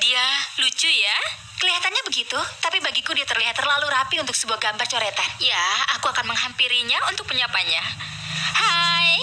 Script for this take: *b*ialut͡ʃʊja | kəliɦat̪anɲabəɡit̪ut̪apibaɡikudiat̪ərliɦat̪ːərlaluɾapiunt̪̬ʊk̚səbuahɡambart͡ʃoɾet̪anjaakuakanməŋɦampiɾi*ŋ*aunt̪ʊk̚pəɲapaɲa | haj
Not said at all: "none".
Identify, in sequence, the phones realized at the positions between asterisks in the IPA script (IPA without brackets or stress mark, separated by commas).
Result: d, ɲ